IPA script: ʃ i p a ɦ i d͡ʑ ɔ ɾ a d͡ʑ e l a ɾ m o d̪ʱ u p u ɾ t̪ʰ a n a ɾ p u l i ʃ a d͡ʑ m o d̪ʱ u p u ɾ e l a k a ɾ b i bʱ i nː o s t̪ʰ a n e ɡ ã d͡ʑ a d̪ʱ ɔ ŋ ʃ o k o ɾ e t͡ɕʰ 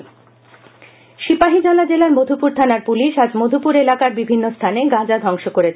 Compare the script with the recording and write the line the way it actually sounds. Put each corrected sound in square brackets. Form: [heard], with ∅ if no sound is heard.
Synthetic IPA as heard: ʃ i p a ɦ i d͡ʑ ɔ [l] a d͡ʑ e l a ɾ m o d̪ʱ u p u ɾ t̪ʰ a n a ɾ p u l i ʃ a d͡ʑ m o d̪ʱ u p u ɾ e l a k a ɾ b i bʱ i nː o s t̪ʰ a n e ɡ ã d͡ʑ a d̪ʱ ɔ ŋ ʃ o k o ɾ e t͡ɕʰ

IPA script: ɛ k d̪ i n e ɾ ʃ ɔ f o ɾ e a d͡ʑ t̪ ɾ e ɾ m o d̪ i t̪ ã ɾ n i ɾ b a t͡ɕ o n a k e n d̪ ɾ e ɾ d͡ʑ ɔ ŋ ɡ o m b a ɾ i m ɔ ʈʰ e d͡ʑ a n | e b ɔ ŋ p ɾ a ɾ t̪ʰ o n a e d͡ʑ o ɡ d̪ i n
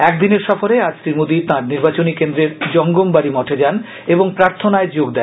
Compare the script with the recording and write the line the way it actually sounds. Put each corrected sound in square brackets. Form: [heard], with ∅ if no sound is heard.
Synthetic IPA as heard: ɛ k d̪ i n e ɾ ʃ ɔ f o ɾ e a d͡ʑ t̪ ɾ [i] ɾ m o d̪ i t̪ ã ɾ n i ɾ b a t͡ɕ o n [i] k e n d̪ ɾ e ɾ d͡ʑ ɔ ŋ ɡ o m b a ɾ i m ɔ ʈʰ e d͡ʑ a n | e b [o] ŋ p ɾ a ɾ t̪ʰ o n a e d͡ʑ o ɡ d̪ [ɛ] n

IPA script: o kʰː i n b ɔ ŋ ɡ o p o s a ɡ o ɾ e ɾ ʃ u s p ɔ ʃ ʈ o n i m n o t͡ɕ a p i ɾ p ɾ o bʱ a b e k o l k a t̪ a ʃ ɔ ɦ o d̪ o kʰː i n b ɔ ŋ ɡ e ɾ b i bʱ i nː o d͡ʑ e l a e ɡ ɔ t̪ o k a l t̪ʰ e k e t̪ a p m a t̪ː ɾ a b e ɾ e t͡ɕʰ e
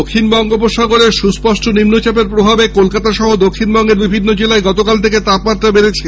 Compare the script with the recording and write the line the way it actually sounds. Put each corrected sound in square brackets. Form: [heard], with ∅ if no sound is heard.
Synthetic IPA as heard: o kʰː i n b ɔ ŋ ɡ o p o [ʃ] a ɡ o ɾ e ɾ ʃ u s p ɔ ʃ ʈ o n i m n o t͡ɕ a p [e] ɾ p ɾ o bʱ a b e k o l k a t̪ a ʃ ɔ ɦ o d̪ o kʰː i n b ɔ ŋ ɡ e ɾ b i bʱ i nː o d͡ʑ e l a e ɡ ɔ t̪ o k a l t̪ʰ e k e t̪ a p m a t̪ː ɾ a b e ɾ e t͡ɕʰ e

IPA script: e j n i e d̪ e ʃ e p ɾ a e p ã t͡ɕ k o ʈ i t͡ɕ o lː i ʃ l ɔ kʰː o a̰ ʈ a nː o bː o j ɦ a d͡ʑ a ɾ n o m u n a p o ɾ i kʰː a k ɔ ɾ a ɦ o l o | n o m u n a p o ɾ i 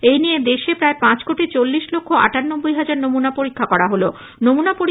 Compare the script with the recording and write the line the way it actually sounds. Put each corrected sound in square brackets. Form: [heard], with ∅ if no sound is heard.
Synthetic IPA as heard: e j n i e d̪ e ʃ e p ɾ a e p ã t͡ɕ k o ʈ i t͡ɕ o lː i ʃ l [o] kʰː o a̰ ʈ a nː o bː o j ɦ a d͡ʑ a ɾ n o m u n a p o ɾ i kʰː a k ɔ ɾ a ɦ o l o | n o m u n a p o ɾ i

